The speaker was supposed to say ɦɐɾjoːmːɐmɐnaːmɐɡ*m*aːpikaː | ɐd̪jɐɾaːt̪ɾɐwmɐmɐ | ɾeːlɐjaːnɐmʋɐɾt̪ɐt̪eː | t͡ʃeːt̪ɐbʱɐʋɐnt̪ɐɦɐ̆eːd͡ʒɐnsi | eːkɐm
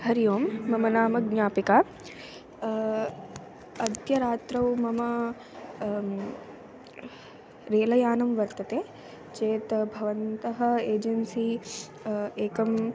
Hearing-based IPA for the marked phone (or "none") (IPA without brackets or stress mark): ɲ